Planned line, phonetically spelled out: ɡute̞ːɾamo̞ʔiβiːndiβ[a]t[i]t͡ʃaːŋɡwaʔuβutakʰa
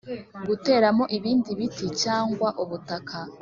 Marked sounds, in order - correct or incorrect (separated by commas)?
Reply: incorrect, correct